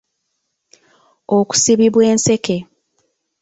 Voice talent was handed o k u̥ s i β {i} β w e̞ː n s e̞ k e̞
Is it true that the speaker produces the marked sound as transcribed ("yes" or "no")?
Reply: yes